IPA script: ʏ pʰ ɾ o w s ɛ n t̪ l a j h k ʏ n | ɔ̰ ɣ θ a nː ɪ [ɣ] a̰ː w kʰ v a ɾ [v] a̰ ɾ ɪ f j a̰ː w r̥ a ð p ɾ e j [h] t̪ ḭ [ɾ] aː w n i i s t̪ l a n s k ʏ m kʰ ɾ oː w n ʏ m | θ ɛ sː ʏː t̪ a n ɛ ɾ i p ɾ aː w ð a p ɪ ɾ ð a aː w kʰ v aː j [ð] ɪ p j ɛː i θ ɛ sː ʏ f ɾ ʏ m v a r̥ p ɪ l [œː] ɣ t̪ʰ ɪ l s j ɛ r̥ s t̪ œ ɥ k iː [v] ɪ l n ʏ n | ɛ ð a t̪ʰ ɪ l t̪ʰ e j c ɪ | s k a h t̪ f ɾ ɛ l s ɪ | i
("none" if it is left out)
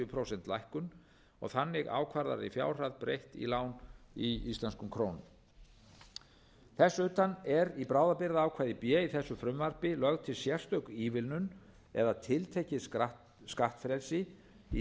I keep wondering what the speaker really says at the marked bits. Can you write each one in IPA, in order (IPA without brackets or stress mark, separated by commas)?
ɣ, ð, h, l, ð, œ, v